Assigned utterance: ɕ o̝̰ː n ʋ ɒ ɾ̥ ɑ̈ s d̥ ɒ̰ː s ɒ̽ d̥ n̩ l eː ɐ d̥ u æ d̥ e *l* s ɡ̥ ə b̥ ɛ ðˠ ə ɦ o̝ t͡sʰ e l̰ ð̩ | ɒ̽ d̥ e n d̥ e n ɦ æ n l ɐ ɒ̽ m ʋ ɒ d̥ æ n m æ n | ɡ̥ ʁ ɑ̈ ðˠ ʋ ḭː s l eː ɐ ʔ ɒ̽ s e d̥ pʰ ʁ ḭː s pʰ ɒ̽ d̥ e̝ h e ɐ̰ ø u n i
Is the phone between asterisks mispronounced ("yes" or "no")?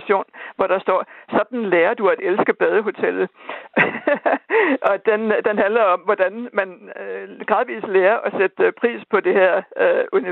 no